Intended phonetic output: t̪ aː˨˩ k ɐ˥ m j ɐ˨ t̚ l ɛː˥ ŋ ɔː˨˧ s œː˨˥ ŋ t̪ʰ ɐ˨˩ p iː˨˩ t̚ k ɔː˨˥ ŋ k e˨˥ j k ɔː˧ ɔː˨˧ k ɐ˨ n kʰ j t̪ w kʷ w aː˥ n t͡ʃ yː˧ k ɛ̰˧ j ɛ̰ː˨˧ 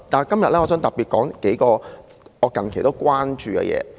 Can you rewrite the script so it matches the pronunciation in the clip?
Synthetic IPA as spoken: t̪ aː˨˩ k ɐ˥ m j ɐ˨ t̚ l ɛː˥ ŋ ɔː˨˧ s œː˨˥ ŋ t̪ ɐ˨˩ p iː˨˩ t̚ k ɔː˨˥ ŋ k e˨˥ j k ɔː˧ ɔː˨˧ k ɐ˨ n kʰ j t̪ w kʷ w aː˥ n t͡ʃ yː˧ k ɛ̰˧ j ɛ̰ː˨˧